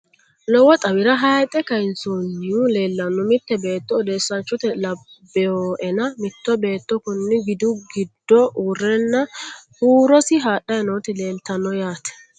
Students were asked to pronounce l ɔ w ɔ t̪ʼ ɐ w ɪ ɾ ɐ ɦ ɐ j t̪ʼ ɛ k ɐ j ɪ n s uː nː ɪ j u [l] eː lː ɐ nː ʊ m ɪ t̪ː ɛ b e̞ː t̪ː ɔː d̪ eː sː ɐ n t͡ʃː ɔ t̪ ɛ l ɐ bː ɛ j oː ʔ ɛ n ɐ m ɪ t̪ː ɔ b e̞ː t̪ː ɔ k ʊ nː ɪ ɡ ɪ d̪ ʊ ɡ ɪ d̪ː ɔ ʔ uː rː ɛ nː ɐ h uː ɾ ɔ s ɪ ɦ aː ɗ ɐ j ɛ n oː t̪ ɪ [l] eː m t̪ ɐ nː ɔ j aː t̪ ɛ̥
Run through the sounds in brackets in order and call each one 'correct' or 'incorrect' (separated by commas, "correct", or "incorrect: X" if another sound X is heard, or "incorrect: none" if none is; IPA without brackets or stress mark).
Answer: correct, correct